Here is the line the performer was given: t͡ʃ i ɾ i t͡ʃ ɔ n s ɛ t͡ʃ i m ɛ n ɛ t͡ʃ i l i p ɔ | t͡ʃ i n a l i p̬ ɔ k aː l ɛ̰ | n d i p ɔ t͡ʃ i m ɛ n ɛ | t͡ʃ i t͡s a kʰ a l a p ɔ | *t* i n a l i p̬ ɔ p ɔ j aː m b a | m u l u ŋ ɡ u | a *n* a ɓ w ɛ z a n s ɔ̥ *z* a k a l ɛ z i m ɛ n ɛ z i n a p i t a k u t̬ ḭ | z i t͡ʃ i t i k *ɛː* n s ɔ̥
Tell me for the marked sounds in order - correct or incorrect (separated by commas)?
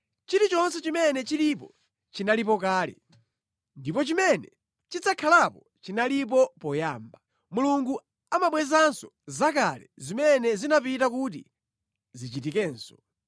incorrect, incorrect, correct, correct